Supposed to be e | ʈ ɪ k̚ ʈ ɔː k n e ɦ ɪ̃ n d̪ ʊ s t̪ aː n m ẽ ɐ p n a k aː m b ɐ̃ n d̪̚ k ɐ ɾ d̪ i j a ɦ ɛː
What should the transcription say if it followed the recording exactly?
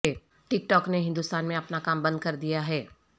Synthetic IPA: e | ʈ ɪ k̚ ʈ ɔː k n e ɦ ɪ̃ n d̪ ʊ s t̪ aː n m ẽ ɐ p n a k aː m b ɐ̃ n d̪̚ k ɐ ɾ d̪ i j a ɦ ɛː